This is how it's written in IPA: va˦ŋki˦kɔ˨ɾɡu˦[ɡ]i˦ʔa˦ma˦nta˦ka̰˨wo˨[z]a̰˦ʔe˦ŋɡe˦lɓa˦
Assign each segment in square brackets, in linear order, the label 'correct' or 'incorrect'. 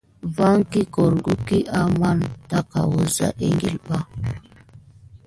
incorrect: k, correct

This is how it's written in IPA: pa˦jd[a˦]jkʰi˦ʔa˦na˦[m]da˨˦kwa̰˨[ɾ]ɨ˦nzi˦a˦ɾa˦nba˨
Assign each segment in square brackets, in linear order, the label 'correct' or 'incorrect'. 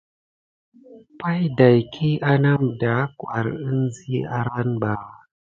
incorrect: a˨, correct, correct

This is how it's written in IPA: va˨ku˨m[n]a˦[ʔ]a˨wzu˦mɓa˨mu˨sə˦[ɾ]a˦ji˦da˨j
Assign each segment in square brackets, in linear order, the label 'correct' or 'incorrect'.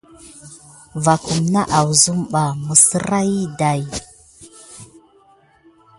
correct, correct, correct

